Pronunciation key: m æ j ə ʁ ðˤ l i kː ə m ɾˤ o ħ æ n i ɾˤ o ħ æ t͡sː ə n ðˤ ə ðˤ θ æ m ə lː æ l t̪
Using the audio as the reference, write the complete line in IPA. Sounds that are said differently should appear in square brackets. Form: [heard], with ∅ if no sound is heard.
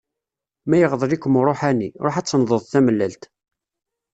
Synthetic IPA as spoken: m æ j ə ʁ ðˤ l i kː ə m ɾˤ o ħ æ n i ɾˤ o ħ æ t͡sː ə n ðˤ ə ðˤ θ æ m ə lː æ l t̪